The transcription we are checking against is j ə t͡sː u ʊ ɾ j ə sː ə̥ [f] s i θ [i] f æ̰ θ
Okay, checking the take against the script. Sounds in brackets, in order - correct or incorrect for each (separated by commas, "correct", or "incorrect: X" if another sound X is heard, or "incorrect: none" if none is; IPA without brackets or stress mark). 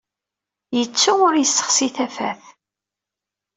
incorrect: χ, incorrect: æ